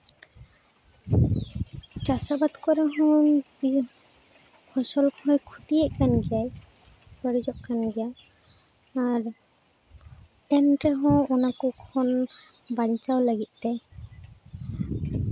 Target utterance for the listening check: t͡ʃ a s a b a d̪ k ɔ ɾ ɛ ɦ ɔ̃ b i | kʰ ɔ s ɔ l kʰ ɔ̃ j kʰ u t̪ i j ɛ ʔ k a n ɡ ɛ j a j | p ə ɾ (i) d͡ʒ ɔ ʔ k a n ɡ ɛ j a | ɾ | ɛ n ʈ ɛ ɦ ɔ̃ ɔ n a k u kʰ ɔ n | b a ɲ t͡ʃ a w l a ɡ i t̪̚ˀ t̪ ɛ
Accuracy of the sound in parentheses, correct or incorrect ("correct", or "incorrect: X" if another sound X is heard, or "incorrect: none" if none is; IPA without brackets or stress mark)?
correct